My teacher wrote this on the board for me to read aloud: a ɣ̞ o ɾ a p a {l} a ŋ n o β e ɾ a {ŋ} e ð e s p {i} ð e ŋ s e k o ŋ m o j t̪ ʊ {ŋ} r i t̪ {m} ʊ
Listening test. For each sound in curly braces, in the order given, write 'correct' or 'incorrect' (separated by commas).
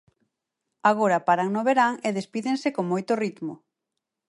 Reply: incorrect, correct, correct, incorrect, correct